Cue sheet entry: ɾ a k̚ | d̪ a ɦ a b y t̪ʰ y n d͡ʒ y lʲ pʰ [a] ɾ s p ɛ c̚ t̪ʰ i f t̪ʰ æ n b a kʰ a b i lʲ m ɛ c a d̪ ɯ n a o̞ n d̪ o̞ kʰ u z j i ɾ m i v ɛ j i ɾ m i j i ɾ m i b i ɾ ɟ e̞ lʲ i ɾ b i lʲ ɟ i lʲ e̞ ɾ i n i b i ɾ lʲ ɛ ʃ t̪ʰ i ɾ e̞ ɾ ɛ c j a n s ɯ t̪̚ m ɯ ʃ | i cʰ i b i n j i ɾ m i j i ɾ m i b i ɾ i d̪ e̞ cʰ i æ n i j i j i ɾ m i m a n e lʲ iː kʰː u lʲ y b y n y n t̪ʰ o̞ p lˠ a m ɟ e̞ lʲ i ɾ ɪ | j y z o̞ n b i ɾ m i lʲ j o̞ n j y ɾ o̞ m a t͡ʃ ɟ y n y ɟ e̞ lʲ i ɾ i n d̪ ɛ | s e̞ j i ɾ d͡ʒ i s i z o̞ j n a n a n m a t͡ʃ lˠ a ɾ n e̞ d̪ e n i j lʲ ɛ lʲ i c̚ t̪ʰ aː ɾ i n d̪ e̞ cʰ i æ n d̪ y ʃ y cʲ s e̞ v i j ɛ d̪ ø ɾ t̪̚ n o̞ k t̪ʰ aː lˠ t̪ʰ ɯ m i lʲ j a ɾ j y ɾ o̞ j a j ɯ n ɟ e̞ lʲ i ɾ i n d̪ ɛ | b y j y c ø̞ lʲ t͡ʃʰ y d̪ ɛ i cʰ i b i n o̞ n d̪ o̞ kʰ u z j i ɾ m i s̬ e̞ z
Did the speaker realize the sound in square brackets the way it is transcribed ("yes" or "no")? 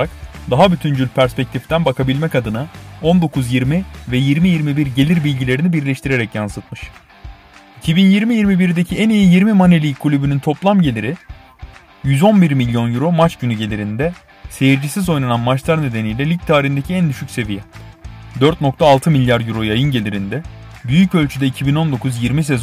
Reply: no